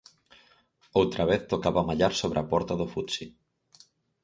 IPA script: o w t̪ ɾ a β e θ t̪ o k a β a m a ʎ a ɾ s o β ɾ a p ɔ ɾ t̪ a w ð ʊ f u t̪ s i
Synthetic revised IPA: o w t̪ ɾ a β e θ t̪ o k a β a m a ʎ a ɾ s o β ɾ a p ɔ ɾ t̪ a ð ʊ f u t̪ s i